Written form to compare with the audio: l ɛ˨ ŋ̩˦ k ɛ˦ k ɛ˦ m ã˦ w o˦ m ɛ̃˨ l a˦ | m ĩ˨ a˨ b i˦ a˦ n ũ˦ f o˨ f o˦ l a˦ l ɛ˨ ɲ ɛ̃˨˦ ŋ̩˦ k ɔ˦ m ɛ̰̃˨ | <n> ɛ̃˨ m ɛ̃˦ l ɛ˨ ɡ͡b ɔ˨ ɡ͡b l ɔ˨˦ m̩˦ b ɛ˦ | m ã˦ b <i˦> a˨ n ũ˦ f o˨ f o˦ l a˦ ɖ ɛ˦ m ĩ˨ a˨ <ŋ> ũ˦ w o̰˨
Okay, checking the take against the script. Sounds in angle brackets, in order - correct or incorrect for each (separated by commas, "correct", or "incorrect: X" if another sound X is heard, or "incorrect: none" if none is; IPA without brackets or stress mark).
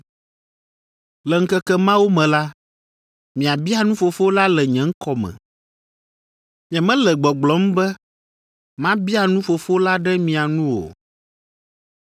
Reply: incorrect: ɲ, correct, incorrect: n